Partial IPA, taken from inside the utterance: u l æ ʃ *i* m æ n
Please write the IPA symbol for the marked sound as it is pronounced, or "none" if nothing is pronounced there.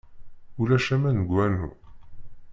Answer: æ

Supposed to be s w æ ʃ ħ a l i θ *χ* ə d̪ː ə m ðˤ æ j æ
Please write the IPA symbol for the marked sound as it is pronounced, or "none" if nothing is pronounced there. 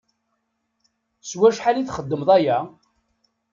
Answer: χ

